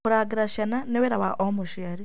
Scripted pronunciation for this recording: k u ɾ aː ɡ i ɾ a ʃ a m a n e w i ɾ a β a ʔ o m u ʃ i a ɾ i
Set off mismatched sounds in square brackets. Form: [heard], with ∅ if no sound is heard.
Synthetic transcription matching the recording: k u ɾ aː ɡ i ɾ a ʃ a [n] a n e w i ɾ a β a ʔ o m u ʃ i a ɾ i